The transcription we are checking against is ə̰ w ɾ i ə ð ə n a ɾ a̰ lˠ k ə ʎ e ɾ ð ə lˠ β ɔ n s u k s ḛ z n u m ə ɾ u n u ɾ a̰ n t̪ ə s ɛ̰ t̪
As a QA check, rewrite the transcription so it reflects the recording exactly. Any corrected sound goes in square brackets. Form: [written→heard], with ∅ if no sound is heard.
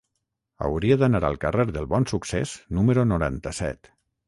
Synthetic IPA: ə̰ w ɾ i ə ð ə n a ɾ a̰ lˠ k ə [ʎ→r] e ɾ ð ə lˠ β ɔ n s u k s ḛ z n u m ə ɾ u n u ɾ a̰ n t̪ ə s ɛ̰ t̪